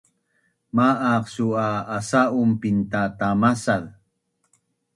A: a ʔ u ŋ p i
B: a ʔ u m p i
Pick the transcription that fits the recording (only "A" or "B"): B